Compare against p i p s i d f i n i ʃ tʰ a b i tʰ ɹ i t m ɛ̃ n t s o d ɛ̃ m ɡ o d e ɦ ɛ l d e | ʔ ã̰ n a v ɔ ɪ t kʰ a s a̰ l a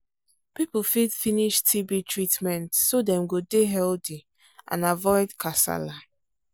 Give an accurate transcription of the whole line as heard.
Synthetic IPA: p i p f i d f i n i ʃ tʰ i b i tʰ ɹ i t m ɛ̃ n t s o d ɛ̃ m ɡ o d e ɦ ɛ l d i | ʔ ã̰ n a v ɔ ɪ d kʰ a s a̰ l a